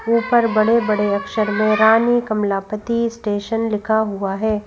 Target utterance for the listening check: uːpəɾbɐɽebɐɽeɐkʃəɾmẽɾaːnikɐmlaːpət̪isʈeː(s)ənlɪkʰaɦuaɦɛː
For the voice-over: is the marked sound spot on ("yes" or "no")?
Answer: no